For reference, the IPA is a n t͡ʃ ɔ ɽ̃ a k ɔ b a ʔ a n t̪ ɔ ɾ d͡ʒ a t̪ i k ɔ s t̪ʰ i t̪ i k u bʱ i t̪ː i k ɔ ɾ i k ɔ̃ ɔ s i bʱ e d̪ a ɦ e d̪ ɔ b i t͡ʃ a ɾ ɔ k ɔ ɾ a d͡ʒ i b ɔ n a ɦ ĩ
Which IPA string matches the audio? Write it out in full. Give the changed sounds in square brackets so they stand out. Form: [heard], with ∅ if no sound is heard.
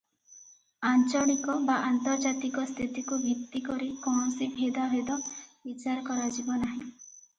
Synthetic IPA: a n t͡ʃ ɔ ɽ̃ [i] k ɔ b a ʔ a n t̪ ɔ ɾ d͡ʒ a t̪ i k ɔ s t̪ʰ i t̪ i k u bʱ i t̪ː i k ɔ ɾ i k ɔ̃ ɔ s i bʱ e d̪ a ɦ e d̪ ɔ b i t͡ʃ a ɾ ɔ k ɔ ɾ a d͡ʒ i b ɔ n a ɦ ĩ